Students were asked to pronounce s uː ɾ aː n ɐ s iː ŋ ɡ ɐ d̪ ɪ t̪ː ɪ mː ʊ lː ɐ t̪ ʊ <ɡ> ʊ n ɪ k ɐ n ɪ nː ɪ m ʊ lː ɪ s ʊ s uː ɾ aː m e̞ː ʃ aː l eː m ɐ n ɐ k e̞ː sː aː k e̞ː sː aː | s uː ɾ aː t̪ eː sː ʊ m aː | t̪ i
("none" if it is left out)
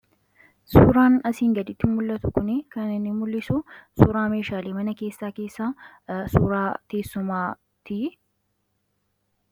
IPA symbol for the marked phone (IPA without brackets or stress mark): k